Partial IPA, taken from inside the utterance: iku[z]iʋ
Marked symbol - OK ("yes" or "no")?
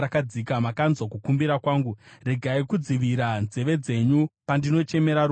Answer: no